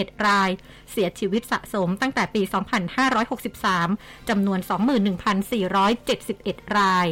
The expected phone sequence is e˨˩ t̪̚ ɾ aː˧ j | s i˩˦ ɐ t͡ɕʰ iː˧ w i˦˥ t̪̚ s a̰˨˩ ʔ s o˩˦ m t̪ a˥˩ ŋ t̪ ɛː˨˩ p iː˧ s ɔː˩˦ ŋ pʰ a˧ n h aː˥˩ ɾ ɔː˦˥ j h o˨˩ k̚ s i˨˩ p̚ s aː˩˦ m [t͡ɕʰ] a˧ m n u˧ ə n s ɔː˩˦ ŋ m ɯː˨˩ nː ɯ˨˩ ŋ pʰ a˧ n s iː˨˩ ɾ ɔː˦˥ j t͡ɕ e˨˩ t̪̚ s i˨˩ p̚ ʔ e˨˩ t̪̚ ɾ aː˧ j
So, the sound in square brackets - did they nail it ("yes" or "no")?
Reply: no